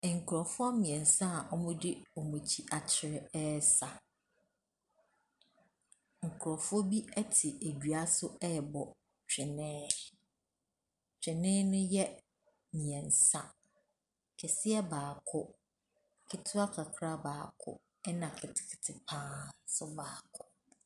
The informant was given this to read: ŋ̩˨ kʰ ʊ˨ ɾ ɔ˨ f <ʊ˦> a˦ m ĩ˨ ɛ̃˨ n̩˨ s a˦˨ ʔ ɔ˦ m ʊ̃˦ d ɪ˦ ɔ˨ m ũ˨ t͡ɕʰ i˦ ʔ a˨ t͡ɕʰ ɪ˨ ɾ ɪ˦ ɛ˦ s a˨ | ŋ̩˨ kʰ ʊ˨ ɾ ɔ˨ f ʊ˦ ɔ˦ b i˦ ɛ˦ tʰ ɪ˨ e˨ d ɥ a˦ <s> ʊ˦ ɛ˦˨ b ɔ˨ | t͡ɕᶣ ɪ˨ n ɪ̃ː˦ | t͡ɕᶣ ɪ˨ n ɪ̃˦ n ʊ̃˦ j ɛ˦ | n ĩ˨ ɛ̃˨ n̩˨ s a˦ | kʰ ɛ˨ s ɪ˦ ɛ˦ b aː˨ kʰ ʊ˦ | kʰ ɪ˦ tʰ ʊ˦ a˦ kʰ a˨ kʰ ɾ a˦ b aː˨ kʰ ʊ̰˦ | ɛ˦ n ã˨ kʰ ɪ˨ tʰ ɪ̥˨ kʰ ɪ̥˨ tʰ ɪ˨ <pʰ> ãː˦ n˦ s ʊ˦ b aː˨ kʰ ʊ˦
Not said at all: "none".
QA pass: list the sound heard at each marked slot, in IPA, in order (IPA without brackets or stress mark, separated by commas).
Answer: ʊ˦, s, pʰ